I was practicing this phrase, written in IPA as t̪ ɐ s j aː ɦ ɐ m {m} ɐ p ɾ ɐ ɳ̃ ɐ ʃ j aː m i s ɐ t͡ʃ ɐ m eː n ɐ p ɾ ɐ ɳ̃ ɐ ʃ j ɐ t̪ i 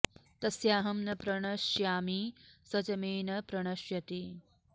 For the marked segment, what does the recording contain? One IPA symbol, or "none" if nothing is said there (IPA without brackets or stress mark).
n